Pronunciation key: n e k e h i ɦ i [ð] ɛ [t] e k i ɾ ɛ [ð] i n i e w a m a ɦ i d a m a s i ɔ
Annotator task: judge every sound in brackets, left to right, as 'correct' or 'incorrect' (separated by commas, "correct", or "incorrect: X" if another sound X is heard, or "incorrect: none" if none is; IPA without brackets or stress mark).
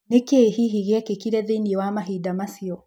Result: incorrect: ɣ, incorrect: k, correct